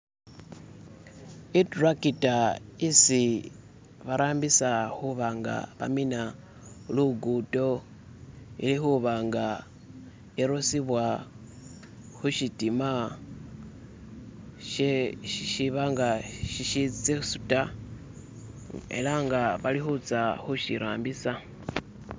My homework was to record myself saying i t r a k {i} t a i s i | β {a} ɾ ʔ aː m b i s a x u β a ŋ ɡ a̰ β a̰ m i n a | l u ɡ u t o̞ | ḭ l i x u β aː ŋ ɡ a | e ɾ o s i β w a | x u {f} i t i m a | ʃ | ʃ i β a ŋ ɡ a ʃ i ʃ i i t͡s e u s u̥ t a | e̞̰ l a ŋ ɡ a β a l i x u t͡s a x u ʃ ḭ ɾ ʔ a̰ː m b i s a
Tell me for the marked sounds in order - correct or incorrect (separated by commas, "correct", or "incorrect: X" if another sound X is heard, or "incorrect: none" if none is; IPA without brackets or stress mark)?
correct, correct, incorrect: ʃ